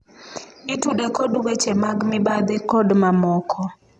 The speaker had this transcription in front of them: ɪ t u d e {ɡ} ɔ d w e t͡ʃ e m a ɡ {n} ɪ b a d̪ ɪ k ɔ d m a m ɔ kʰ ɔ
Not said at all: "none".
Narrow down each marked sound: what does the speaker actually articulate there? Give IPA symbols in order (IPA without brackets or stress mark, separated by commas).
k, m